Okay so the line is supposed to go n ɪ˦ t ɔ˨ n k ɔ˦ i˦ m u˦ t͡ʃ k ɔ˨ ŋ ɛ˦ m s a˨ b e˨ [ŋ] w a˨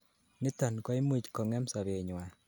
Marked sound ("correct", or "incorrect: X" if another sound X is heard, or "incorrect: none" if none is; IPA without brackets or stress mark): incorrect: ɲ